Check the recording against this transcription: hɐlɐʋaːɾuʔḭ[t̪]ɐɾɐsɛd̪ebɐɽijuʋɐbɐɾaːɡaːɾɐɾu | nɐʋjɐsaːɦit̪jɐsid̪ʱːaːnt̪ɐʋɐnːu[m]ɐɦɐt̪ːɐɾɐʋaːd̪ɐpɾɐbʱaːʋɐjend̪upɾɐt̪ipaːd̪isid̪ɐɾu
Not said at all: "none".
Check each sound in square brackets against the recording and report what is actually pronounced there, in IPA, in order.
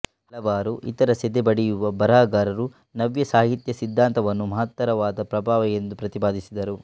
t̪, m

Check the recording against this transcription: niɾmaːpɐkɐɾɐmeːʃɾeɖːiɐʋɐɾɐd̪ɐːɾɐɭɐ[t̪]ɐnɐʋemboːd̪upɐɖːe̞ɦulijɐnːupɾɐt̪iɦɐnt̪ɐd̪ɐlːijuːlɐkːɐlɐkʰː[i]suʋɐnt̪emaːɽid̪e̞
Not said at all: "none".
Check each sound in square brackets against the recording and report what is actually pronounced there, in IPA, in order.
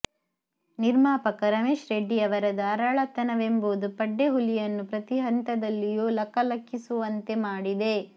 t̪, i

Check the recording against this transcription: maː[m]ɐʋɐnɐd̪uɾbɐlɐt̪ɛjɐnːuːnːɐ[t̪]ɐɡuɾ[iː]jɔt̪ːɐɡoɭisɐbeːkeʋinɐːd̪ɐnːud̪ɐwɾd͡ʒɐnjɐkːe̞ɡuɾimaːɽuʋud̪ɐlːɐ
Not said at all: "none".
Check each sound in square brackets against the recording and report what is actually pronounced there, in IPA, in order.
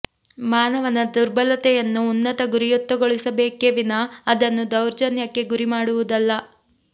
n, t̪, i

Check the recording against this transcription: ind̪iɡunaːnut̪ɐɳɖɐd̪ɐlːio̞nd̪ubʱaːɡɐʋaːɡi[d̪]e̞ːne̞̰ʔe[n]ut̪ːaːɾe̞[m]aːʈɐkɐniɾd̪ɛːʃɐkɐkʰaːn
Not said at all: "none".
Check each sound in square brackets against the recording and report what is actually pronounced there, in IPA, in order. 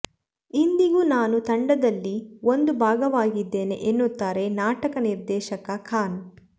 d̪ː, nː, n

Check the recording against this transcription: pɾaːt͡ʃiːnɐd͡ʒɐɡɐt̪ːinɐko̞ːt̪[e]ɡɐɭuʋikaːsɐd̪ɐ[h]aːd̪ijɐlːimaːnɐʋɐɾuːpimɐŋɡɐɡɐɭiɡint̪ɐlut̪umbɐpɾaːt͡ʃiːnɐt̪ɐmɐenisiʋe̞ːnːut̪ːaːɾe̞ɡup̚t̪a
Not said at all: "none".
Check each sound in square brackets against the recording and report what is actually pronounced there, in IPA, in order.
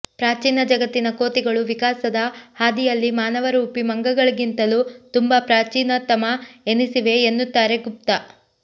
i, h

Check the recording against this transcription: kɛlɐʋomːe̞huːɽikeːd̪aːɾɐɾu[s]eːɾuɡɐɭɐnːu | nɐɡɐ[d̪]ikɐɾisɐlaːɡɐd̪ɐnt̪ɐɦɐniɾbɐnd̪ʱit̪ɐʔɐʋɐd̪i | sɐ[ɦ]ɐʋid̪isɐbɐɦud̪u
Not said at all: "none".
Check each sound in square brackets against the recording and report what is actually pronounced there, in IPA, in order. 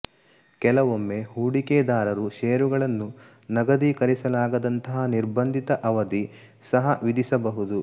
ʃ, d̪, ɦ

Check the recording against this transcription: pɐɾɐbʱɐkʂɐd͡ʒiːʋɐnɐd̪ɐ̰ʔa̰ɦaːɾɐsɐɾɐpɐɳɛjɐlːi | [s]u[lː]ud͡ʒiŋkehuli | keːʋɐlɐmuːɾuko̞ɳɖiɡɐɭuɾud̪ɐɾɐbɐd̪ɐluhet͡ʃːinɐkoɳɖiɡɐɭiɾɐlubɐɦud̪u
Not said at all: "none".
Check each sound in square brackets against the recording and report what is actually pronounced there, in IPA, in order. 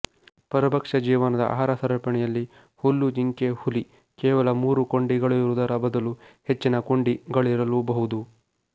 h, lː

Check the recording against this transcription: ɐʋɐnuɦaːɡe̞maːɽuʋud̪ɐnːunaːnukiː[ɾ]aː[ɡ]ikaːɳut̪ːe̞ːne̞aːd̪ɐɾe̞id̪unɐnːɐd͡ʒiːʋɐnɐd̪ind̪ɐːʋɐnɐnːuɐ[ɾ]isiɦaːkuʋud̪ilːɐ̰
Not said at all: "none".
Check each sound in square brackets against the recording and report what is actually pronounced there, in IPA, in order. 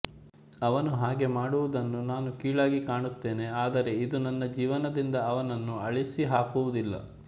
ɭ, ɡ, ɭ

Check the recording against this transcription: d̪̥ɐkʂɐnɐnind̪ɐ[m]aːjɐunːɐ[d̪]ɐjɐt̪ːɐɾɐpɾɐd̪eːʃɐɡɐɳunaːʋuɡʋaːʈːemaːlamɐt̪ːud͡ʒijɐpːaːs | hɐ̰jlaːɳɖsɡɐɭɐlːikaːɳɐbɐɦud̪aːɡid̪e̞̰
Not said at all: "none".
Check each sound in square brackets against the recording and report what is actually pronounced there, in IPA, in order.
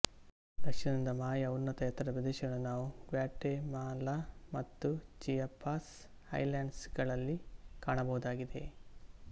m, t̪

